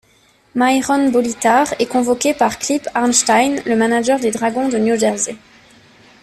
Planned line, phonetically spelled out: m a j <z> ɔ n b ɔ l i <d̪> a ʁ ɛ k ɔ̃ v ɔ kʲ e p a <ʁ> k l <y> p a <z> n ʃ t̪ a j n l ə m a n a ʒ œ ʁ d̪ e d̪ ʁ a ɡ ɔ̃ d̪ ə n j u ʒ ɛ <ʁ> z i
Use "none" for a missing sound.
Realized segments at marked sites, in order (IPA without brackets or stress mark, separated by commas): ʁ, t̪, ʁ, i, ʁ, ʁ